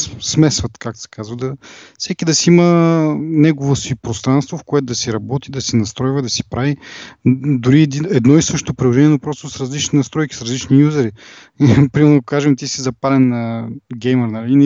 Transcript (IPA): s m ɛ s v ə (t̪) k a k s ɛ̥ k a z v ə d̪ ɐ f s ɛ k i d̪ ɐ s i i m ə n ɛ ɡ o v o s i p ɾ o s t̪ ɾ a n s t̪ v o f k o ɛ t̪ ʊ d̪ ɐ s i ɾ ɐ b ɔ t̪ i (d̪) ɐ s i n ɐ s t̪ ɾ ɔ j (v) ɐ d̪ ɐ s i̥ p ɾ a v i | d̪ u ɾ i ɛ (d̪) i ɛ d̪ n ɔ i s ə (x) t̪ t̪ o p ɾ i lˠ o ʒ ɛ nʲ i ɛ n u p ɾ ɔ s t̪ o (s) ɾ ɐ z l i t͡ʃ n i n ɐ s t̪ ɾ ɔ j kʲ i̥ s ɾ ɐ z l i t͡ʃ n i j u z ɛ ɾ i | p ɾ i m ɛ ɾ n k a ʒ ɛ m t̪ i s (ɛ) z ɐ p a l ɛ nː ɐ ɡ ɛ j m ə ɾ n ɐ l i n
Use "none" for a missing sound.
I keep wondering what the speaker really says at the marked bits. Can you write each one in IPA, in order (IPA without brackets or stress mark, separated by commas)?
t̪, d̪, v, d̪, ʃ, s, i